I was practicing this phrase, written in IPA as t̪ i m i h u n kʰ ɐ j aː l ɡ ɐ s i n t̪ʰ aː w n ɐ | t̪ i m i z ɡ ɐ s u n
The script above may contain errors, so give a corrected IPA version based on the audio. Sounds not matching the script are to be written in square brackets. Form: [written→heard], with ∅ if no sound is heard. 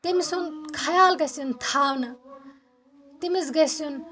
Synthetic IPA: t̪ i m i [h→s] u n kʰ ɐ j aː l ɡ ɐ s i n t̪ʰ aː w n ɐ | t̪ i m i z ɡ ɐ s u n

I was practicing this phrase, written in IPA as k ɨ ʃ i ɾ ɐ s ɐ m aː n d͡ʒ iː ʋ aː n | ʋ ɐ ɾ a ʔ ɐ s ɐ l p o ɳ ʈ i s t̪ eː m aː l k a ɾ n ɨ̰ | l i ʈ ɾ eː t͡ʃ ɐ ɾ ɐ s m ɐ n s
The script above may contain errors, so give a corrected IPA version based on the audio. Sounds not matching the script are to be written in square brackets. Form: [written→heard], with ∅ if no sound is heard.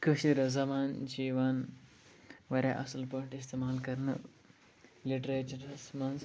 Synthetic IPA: k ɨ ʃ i ɾ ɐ [s→z] ɐ m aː n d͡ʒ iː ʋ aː n | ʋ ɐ ɾ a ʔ ɐ s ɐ l p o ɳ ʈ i s t̪ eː m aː l k [a→ɐ] ɾ n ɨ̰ | l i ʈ ɾ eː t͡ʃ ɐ ɾ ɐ s m ɐ n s

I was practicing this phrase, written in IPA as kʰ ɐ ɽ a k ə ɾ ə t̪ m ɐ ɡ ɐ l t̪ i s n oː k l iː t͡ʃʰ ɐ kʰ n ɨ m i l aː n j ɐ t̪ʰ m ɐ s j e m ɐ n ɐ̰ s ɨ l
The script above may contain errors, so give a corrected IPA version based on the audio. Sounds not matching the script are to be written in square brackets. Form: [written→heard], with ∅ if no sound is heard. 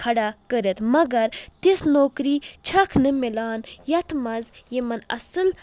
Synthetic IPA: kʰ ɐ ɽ a k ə ɾ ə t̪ m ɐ ɡ ɐ [l→ɾ] t̪ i s n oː k [l→ɾ] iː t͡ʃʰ ɐ kʰ n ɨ m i l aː n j ɐ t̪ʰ m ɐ [s→z] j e m ɐ n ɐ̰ s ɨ l

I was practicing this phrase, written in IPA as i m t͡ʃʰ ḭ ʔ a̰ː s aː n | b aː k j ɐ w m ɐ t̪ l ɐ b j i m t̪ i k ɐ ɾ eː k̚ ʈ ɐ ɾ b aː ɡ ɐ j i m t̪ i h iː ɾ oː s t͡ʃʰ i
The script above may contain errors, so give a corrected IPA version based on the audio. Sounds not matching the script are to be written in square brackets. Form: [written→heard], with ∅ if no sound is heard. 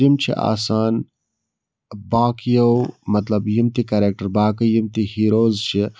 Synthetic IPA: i m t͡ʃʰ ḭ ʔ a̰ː s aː n | b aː k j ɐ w m ɐ t̪ l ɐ b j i m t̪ i k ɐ ɾ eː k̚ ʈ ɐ ɾ b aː [ɡ→k] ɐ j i m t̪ i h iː ɾ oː [s→z] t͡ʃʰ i

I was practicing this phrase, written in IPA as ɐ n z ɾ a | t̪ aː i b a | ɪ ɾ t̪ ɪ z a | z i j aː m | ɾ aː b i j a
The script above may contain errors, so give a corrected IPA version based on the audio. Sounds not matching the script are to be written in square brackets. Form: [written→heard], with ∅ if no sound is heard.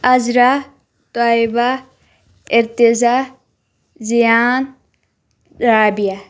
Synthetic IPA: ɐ [n→∅] z ɾ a | t̪ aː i b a | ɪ ɾ t̪ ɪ z a | z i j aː [m→n] | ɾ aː b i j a

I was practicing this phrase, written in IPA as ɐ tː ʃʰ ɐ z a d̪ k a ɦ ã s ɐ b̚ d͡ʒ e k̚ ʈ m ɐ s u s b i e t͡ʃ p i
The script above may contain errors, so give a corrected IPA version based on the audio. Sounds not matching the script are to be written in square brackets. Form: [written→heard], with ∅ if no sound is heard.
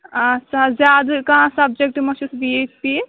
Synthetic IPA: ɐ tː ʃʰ [ɐ→a] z a d̪ k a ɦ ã s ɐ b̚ d͡ʒ e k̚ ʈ m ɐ s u s b i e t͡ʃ p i

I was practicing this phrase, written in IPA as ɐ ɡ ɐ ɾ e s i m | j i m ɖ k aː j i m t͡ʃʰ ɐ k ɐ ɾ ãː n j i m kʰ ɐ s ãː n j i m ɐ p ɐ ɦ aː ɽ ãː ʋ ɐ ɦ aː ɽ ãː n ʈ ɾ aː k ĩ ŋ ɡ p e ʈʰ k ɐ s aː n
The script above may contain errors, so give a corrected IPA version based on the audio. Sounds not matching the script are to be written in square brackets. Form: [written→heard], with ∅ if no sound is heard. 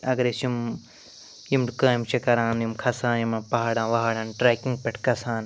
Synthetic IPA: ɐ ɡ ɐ ɾ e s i m | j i m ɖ k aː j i m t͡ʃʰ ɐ k ɐ ɾ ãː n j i m kʰ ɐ s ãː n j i m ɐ p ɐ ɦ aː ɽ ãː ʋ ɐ ɦ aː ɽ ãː n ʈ ɾ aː k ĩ ŋ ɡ p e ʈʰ k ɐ s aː n

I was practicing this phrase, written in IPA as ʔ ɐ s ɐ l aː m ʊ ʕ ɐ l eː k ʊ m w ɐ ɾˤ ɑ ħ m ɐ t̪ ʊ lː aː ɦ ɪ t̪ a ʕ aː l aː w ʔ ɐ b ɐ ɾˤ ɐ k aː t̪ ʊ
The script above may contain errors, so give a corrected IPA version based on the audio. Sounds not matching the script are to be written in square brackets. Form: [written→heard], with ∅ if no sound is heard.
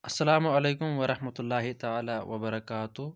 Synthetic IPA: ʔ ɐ [s→sː] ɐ l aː m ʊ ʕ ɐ l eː k ʊ m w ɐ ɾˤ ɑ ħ m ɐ t̪ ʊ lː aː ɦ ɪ t̪ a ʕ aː l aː w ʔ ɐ b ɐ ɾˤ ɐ k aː t̪ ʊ

